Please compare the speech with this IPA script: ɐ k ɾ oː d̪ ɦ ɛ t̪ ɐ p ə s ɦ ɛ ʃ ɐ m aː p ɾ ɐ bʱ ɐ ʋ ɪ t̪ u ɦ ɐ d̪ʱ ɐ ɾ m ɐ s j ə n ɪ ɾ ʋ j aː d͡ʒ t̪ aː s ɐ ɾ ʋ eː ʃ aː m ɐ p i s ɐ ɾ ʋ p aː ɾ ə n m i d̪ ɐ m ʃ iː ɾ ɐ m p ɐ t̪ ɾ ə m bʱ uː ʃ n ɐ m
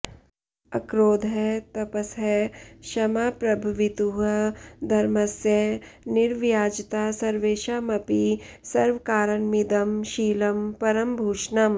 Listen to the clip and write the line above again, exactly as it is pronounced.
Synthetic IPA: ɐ k ɾ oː d̪ ɦ ɛ t̪ ɐ p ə s ɦ ɛ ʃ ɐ m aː p ɾ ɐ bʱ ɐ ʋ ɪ t̪ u ɦ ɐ d̪ʱ ɐ ɾ m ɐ s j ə n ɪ ɾ ʋ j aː d͡ʒ t̪ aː s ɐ ɾ ʋ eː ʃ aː m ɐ p i s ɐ ɾ ʋ k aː ɾ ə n m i d̪ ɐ m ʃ iː l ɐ m p ɐ ɾ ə m bʱ uː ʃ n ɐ m

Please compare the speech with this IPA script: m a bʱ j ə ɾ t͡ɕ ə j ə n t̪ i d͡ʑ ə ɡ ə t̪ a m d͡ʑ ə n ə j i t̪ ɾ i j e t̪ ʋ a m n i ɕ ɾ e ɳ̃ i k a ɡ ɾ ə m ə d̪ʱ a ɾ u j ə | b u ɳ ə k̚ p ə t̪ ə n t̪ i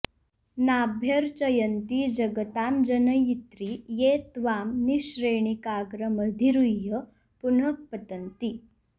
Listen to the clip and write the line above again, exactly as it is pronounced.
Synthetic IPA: n a bʱ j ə ɾ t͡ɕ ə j ə n t̪ i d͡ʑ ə ɡ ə t̪ a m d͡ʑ ə n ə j i t̪ ɾ i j e t̪ ʋ a m n i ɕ ɾ e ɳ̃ i k a ɡ ɾ ə m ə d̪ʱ i ɾ u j ə | p u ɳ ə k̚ p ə t̪ ə n t̪ i

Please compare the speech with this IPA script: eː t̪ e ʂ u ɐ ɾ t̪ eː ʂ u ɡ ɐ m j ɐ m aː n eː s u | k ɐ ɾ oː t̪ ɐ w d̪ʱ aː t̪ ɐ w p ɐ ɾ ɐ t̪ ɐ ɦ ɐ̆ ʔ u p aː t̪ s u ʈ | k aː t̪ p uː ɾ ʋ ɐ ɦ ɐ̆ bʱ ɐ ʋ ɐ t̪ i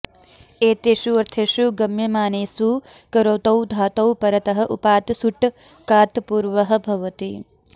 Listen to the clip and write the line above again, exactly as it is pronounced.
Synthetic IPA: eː t̪ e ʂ u ɐ ɾ t̪ʰ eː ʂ u ɡ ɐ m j ɐ m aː n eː s u | k ɐ ɾ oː t̪ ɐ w d̪ʱ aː t̪ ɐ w p ɐ ɾ ɐ t̪ ɐ ɦ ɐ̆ ʔ u p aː t̪ s u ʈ | k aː t̪ p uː ɾ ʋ ɐ ɦ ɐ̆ bʱ ɐ ʋ ɐ t̪ i

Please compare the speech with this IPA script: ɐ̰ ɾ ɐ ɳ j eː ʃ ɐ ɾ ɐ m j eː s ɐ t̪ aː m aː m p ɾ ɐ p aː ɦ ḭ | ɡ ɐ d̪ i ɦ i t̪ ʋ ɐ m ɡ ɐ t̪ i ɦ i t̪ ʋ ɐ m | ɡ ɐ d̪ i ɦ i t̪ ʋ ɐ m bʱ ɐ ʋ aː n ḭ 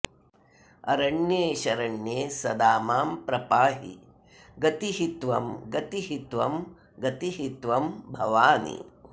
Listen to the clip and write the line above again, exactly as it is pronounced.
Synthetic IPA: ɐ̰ ɾ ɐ ɳ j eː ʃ ɐ ɾ ɐ ɳ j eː s ɐ d̪ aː m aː m p ɾ ɐ p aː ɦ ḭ | ɡ ɐ t̪ i ɦ i t̪ ʋ ɐ m ɡ ɐ t̪ i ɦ i t̪ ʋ ɐ m | ɡ ɐ t̪ i ɦ i t̪ ʋ ɐ m bʱ ɐ ʋ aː n ḭ

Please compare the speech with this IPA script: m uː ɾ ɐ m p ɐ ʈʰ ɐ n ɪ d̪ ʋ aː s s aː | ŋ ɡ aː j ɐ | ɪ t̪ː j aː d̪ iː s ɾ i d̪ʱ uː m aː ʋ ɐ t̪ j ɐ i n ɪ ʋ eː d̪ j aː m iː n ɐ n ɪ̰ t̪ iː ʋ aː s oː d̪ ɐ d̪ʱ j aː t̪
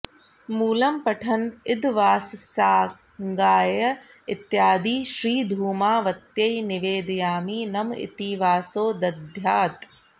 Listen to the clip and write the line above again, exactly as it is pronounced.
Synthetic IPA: m uː l ɐ m p ɐ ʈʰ ɐ n ɪ d̪ ʋ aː s s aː | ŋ ɡ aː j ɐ | ɪ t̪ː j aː d̪ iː ʃ ɾ iː d̪ʱ uː m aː ʋ ɐ t̪ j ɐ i n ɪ ʋ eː d̪ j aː m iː n ɐ m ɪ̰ t̪ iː ʋ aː s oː d̪ ɐ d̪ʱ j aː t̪

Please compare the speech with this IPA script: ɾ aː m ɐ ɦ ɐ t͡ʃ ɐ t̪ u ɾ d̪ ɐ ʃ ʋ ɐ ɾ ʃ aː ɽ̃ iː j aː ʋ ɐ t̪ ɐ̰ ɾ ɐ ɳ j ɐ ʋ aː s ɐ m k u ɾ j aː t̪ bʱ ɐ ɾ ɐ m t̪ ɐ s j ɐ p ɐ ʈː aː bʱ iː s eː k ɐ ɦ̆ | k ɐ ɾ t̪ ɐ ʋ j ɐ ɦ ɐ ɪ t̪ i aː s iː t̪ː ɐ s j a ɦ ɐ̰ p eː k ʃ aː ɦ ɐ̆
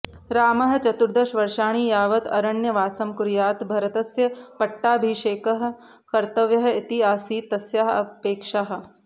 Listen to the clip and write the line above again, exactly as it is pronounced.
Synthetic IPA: ɾ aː m ɐ ɦ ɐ t͡ʃ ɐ t̪ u ɾ d̪ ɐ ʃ ʋ ɐ ɾ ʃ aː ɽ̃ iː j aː ʋ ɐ t̪ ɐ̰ ɾ ɐ ɳ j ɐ ʋ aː s ɐ m k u ɾ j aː t̪ bʱ ɐ ɾ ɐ t̪ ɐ s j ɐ p ɐ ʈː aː bʱ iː ʃ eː k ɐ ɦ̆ | k ɐ ɾ t̪ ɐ ʋ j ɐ ɦ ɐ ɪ t̪ i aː s iː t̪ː ɐ s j a ɦ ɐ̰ p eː k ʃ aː ɦ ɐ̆

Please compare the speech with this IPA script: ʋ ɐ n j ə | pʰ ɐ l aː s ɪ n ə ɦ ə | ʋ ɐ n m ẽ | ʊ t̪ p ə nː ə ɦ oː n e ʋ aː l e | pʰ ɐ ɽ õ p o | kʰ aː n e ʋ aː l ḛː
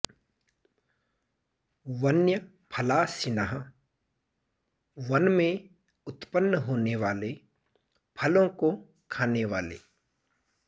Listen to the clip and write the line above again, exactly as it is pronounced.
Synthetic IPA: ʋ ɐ n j ə | pʰ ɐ l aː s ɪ n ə ɦ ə | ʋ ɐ n m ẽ | ʊ t̪ p ə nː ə ɦ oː n e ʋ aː l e | pʰ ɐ l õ k o | kʰ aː n e ʋ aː l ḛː

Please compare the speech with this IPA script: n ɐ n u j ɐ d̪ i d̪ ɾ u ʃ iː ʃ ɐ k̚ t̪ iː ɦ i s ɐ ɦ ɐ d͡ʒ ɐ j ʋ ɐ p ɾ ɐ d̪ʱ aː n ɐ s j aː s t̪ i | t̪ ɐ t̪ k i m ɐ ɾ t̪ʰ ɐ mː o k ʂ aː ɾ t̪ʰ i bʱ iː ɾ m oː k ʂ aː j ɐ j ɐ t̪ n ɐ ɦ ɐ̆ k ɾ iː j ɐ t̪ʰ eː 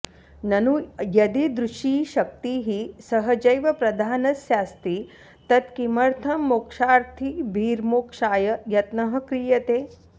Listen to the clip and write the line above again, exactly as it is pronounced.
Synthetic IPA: n ɐ n u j ɐ d̪ i d̪ ɾ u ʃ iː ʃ ɐ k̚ t̪ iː ɦ i s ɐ ɦ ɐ d͡ʒ ɐ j ʋ ɐ p ɾ ɐ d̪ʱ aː n ɐ s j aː s t̪ i | t̪ ɐ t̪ k i m ɐ ɾ t̪ʰ ɐ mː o k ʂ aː ɾ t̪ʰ i bʱ iː ɾ m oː k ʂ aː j ɐ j ɐ t̪ n ɐ ɦ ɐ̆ k ɾ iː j ɐ t̪ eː

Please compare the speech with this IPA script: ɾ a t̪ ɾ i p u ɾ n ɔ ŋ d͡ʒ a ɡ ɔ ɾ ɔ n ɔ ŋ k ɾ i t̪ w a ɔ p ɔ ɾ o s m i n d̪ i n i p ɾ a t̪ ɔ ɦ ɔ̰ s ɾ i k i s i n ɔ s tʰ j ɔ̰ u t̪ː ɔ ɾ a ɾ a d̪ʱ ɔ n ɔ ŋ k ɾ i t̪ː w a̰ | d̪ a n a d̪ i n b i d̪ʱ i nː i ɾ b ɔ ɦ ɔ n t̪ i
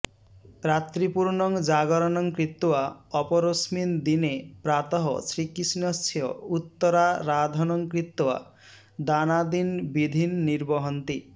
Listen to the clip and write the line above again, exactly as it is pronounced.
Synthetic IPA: ɾ a t̪ ɾ i p u ɾ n ɔ ŋ d͡ʒ a ɡ ɔ ɾ ɔ n ɔ ŋ k ɾ i t̪ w a ɔ p ɔ ɾ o s m i n d̪ i n e p ɾ a t̪ ɔ ɦ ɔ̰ s ɾ i k i s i n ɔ s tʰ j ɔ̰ u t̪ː ɔ ɾ a ɾ a d̪ʱ ɔ n ɔ ŋ k ɾ i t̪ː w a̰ | d̪ a n a d̪ i n b i d̪ʱ i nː i ɾ b ɔ ɦ ɔ n t̪ i

